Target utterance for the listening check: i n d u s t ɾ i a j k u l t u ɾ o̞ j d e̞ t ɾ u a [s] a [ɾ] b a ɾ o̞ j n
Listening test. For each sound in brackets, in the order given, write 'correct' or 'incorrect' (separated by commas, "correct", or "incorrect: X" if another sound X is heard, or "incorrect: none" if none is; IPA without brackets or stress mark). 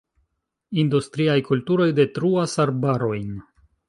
correct, correct